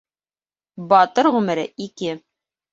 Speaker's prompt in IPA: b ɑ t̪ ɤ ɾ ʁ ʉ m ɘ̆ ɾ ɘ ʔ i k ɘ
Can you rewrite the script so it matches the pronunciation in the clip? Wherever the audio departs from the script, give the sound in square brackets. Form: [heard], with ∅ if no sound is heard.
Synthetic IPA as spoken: b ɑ t̪ ɤ ɾ ʁ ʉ m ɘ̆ ɾ ɘ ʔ i k ɘ